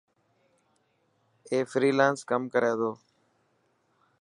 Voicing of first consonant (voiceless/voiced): voiceless